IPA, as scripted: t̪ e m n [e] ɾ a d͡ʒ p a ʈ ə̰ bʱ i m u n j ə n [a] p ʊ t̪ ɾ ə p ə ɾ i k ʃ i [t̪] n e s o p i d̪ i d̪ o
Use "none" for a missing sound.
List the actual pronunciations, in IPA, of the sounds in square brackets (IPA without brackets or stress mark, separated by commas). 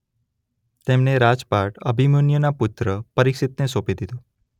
e, a, t̪